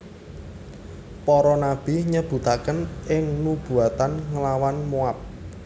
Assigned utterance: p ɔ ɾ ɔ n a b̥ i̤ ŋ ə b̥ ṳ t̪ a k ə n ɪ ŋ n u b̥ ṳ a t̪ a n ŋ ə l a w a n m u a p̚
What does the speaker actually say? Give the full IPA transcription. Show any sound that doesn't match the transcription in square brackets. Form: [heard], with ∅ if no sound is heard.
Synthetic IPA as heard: p ɔ ɾ ɔ n a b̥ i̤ [ɲ] ə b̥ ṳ t̪ a k ə n ɪ ŋ n u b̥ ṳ a t̪ a n ŋ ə l a w a n m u a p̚